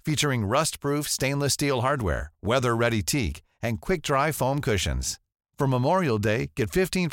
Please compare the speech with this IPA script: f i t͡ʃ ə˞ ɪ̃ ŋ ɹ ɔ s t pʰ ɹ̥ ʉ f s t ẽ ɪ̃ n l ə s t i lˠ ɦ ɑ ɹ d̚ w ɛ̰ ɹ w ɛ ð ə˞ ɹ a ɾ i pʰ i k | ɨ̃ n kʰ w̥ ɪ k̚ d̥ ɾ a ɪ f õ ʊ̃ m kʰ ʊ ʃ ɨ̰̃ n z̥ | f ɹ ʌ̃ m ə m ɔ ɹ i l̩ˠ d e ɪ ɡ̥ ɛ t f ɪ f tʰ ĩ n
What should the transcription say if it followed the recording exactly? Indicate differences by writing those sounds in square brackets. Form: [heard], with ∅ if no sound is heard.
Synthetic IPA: f i t͡ʃ ə˞ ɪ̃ ŋ ɹ [ʌ] s t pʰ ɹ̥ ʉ f s t ẽ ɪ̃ n l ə s t i lˠ ɦ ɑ ɹ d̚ w ɛ̰ ɹ w ɛ ð ə˞ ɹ [ɛ] ɾ i [tʰ] i k | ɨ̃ n kʰ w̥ ɪ k̚ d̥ [ɹ] a ɪ f õ ʊ̃ m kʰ ʊ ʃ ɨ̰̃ n z̥ | f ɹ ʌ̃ m ə m ɔ ɹ i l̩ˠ d e ɪ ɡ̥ ɛ t f ɪ f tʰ ĩ n